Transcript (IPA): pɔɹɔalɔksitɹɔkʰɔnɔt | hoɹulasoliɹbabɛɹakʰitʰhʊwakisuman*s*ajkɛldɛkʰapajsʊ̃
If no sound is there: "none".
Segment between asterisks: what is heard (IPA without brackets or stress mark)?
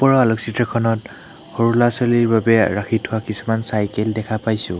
s